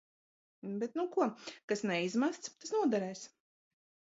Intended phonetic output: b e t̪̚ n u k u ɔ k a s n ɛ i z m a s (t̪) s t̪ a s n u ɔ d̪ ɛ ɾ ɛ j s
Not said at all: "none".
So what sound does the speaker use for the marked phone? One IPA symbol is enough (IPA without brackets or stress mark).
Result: t̪